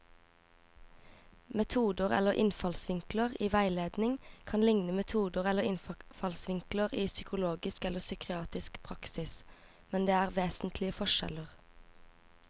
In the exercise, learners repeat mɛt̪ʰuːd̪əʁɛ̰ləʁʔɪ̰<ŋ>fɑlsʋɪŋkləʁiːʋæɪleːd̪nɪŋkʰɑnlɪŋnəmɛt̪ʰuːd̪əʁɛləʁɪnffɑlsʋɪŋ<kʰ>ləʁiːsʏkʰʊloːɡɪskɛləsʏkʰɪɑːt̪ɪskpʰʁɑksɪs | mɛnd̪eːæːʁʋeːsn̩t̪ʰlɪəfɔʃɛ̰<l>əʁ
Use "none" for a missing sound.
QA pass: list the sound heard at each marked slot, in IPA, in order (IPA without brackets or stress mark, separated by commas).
n, k, l